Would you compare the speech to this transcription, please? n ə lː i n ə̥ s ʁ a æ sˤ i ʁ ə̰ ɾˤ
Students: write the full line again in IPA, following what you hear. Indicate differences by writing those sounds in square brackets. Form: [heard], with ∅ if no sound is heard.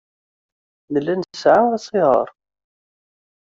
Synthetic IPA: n ə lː [æ] n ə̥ s [ʕ] a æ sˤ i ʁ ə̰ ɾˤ

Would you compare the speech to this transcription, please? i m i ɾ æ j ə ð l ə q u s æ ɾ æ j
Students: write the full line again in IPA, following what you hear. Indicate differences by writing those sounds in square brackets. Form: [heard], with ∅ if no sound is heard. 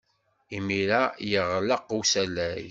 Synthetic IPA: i m i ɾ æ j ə [ʁ] l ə q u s æ [l] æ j

